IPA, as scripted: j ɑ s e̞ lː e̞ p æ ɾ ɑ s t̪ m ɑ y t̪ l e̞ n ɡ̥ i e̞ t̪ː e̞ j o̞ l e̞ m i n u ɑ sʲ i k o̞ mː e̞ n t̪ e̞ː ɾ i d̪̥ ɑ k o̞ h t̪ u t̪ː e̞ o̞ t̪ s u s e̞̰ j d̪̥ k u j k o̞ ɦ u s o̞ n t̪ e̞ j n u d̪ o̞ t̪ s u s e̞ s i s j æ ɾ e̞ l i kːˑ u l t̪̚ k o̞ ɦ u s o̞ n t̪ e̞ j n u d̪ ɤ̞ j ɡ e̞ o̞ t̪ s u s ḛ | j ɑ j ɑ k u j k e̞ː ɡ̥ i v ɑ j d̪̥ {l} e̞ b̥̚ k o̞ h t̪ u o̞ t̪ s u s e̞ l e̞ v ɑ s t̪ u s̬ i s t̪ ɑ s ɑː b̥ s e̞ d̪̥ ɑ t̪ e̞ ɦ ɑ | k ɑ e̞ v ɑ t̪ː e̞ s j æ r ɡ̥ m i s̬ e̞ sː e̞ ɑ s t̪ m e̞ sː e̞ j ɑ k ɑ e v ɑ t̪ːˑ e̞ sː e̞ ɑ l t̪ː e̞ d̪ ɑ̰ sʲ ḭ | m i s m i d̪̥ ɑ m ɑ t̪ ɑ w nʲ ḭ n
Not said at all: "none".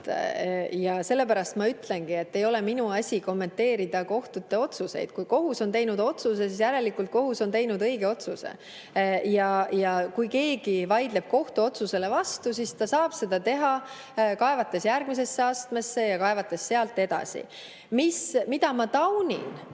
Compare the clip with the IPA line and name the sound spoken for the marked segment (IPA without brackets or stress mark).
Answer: l